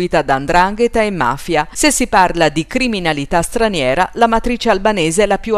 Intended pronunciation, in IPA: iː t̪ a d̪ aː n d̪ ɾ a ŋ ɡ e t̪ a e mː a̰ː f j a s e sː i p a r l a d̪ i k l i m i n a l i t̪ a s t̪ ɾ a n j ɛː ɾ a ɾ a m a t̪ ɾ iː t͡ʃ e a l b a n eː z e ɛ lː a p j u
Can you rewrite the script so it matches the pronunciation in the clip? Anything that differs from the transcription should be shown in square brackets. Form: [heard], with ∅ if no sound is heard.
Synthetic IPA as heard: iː t̪ a d̪ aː n d̪ ɾ a ŋ ɡ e t̪ a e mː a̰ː f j a s e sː i p a r l a d̪ i k [ɾ] i m i n a l i t̪ a s t̪ ɾ a n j ɛː ɾ a [l] a m a t̪ ɾ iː t͡ʃ e a l b a n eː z e ɛ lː a p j u